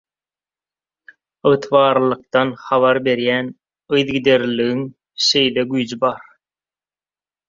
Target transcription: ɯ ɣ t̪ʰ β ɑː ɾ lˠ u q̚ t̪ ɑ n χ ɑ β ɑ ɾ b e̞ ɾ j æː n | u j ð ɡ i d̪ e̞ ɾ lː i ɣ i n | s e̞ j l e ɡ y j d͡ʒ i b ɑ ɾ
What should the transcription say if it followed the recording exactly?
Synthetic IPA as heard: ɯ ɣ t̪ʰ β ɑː ɾ lˠ ɯ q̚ t̪ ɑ n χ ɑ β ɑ ɾ b e̞ ɾ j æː n | ɯ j ð ɡ i d̪ e̞ ɾ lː i ɣ i ŋ | ʃ e̞ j l e ɡ y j d͡ʒ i b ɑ ɾ